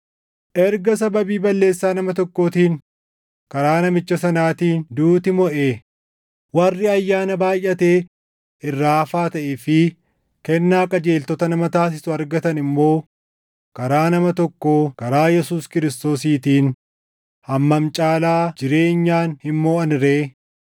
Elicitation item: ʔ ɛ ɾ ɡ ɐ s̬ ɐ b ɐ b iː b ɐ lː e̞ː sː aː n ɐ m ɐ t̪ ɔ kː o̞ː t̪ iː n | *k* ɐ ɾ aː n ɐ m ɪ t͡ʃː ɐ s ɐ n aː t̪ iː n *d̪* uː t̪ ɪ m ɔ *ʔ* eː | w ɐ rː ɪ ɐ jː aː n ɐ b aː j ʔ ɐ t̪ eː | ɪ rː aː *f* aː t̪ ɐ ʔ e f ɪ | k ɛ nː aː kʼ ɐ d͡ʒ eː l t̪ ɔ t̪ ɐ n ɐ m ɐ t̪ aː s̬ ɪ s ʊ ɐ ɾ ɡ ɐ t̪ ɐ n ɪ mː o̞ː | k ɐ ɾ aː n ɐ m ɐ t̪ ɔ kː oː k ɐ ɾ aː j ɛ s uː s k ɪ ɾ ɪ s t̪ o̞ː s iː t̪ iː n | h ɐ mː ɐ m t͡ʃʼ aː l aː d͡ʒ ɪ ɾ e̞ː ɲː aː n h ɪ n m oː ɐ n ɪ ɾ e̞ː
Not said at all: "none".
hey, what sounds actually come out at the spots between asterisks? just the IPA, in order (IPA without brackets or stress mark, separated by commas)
k, d̪, ʔ, f